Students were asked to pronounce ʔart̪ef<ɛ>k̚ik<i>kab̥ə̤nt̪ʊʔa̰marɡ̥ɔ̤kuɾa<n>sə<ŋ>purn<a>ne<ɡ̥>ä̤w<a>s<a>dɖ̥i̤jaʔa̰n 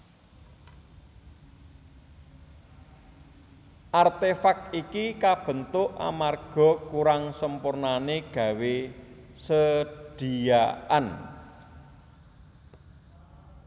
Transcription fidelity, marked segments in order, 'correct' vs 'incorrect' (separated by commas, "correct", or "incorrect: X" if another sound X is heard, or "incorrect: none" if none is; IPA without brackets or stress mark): incorrect: a, correct, incorrect: ŋ, incorrect: m, correct, correct, incorrect: e, incorrect: ə